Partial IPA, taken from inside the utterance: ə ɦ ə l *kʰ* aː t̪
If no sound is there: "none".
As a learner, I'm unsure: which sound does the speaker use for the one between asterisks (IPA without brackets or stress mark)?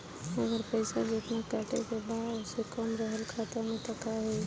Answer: kʰ